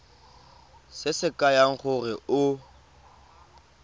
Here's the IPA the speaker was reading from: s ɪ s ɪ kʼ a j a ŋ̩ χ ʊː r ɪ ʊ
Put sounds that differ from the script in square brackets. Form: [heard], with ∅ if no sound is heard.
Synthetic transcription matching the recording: s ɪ s ɪ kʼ a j a ŋ̩ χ [ʊ] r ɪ ʊ